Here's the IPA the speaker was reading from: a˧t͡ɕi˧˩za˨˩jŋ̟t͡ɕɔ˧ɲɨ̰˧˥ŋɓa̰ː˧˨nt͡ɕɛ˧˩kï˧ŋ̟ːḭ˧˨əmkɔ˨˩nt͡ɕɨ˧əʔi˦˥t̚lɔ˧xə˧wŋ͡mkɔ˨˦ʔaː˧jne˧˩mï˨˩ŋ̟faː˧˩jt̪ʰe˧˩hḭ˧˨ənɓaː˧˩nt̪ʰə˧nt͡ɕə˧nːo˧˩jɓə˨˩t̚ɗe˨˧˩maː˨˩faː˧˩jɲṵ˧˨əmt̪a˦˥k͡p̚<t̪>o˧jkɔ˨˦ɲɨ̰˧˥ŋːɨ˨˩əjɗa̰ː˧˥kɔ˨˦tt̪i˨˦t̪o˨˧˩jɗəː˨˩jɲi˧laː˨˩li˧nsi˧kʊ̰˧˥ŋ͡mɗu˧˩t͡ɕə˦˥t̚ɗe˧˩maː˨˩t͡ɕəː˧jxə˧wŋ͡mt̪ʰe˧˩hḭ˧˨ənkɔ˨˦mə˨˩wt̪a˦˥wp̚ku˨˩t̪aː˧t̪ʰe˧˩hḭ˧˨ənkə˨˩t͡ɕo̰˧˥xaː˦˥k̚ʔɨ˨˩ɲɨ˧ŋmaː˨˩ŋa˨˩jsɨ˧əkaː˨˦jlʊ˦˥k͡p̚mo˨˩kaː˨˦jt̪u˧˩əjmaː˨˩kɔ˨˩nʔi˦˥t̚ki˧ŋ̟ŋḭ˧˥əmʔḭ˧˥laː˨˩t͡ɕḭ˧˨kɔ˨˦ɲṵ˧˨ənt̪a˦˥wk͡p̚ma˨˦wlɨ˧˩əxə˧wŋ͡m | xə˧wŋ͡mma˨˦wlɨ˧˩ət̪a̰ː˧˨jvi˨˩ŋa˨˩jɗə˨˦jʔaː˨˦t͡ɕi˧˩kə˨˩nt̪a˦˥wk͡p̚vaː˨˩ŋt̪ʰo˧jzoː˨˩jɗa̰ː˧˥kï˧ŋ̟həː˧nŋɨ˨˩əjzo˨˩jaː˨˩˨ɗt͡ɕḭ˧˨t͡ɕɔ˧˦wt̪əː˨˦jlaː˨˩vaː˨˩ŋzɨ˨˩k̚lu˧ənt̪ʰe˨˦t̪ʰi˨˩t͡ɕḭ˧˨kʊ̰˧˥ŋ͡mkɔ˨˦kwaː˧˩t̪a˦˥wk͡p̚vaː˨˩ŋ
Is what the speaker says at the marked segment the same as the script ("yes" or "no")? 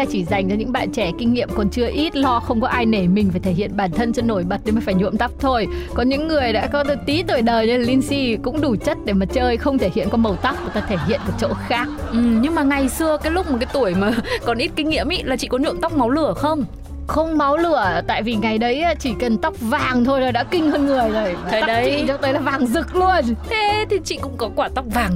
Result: no